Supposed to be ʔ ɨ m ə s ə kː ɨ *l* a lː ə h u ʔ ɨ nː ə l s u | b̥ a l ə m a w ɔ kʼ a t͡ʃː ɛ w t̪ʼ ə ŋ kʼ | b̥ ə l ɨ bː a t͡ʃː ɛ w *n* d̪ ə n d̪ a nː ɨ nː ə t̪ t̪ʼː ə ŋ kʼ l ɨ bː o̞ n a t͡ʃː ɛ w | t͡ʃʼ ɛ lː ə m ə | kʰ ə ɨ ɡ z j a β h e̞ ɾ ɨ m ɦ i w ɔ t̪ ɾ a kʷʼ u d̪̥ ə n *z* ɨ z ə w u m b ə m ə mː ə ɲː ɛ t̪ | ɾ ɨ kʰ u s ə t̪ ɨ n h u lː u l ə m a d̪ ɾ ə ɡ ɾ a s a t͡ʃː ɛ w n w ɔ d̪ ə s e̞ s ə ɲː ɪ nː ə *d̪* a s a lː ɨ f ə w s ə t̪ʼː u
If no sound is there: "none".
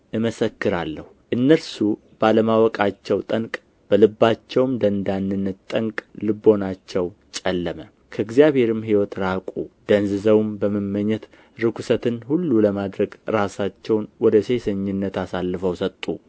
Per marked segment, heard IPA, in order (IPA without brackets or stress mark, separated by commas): ɾ, m, z, t̪